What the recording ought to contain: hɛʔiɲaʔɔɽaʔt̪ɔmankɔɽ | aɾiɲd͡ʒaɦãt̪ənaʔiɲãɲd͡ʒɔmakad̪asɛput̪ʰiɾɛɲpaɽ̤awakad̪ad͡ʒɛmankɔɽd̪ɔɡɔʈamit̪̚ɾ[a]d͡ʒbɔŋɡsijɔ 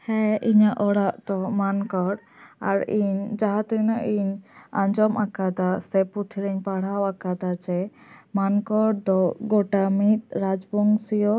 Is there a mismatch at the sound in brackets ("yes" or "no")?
no